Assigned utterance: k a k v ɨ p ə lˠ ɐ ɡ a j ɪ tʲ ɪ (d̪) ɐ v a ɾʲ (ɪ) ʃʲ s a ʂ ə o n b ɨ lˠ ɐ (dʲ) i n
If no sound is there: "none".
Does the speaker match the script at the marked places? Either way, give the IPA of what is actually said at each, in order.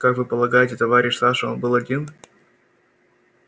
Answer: t̪, ɪ, dʲ

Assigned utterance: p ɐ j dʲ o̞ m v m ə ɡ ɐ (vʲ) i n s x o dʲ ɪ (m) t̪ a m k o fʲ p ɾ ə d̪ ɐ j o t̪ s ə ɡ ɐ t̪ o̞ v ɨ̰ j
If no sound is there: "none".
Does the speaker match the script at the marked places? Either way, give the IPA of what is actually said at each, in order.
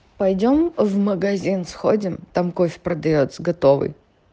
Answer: zʲ, m

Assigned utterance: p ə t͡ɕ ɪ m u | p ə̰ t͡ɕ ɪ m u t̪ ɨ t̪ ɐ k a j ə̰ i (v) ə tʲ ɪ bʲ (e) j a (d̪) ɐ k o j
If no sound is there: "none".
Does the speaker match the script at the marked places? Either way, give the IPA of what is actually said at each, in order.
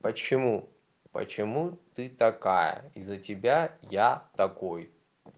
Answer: z, a, t̪

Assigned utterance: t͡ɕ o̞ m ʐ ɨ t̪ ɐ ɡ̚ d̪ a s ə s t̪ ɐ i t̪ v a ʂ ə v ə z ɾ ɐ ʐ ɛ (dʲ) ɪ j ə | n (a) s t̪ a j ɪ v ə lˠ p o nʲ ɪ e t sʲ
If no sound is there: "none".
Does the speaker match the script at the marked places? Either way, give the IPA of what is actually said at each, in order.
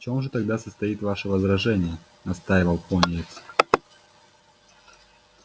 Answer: nʲ, ɐ

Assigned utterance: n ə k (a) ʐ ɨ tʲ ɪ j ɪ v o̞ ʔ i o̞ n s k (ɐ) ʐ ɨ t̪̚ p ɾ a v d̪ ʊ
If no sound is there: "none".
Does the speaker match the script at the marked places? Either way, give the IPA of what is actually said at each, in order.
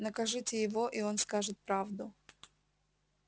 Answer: ɐ, a

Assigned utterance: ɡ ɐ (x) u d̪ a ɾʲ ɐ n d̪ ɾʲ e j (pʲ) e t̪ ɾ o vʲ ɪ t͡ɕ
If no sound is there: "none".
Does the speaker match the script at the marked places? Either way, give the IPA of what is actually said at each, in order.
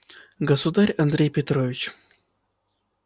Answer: s, pʲ

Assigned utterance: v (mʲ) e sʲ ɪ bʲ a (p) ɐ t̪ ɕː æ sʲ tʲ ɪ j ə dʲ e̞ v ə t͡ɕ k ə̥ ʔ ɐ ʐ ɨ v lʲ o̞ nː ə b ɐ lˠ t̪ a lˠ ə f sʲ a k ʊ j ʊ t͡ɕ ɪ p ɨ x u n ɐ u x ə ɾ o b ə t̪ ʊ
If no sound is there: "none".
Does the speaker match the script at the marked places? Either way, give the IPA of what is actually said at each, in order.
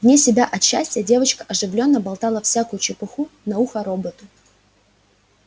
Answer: nʲ, ʔ

